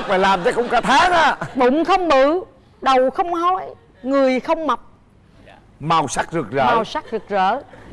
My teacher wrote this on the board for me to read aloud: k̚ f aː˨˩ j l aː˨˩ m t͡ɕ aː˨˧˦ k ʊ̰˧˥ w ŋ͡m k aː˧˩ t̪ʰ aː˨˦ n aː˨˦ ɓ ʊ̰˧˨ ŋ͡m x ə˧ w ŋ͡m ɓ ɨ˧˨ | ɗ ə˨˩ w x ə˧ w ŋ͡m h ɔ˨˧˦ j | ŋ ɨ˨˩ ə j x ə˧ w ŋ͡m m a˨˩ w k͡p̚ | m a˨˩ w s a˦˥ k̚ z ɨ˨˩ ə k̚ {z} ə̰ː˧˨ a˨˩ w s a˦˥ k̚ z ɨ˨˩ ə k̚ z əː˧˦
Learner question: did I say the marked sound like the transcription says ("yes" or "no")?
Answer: yes